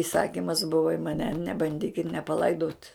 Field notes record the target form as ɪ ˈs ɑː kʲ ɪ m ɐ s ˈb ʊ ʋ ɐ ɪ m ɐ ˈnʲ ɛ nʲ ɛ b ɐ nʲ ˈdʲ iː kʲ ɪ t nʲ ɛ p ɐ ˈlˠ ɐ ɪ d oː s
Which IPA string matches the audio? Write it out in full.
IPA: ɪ ˈs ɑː kʲ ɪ m ɐ s ˈb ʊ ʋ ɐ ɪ m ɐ ˈnʲ ɛ nʲ ɛ b ɐ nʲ ˈdʲ iː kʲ ɪ t nʲ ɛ p ɐ ˈlˠ ɐ ɪ d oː t